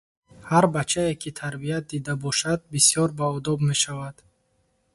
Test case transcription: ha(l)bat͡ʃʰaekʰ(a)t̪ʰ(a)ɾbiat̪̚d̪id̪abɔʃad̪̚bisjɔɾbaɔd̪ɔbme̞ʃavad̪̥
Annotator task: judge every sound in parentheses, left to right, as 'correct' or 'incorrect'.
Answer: incorrect, incorrect, correct

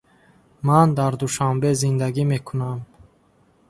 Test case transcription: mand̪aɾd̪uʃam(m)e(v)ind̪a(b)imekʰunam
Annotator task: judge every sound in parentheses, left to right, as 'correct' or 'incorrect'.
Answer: incorrect, incorrect, incorrect

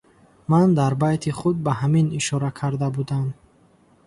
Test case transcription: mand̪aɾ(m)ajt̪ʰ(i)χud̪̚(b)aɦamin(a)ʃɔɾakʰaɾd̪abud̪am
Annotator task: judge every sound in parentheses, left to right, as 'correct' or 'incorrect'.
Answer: incorrect, correct, correct, incorrect

